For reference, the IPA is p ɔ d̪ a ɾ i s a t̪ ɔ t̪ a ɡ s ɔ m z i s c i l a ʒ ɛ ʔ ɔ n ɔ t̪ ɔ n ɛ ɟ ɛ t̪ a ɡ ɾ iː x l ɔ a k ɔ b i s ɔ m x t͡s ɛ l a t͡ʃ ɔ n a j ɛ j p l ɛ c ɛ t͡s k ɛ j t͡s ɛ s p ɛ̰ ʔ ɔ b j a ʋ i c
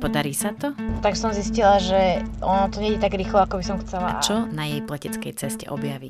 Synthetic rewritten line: p ɔ d̪ a ɾ iː s a t̪ ɔ t̪ a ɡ s ɔ m z i s c i l a ʒ ɛ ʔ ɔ n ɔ t̪ ɔ ɲ ɛ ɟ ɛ t̪ a ɡ ɾ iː x l ɔ a k ɔ b i s ɔ m x t͡s ɛ l a t͡ʃ ɔ n a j ɛ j p l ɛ c ɛ t͡s k ɛ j t͡s ɛ s c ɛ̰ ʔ ɔ b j a ʋ i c